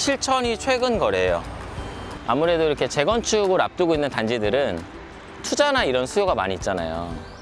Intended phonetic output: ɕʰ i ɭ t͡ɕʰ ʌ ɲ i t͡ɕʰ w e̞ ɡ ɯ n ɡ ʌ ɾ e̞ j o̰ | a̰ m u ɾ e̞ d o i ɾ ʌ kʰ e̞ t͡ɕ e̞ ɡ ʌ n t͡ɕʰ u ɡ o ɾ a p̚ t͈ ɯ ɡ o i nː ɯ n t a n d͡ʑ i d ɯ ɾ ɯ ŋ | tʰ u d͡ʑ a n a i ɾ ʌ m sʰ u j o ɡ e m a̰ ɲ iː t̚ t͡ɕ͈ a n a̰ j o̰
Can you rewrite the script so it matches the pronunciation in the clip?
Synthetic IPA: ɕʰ i ɭ t͡ɕʰ ʌ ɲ i t͡ɕʰ w e̞ ɡ ɯ n ɡ ʌ ɾ e̞ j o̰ | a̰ m u ɾ e̞ d o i ɾ ʌ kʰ e̞ t͡ɕ e̞ ɡ ʌ n t͡ɕʰ u ɡ o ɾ a p̚ t͈ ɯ ɡ o i nː ɯ n t a n d͡ʑ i d ɯ ɾ ɯ n | tʰ u d͡ʑ a n a i ɾ ʌ n sʰ u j o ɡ a m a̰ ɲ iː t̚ t͡ɕ͈ a n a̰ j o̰